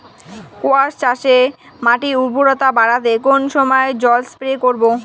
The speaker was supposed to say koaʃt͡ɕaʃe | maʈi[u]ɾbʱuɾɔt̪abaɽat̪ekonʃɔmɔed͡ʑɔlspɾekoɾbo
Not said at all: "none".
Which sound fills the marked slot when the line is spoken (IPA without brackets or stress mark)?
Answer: u